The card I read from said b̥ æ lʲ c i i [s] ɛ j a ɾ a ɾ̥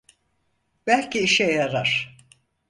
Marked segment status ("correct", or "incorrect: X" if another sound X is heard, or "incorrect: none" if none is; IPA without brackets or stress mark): incorrect: ʃ